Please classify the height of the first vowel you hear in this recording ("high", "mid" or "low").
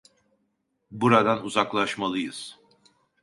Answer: high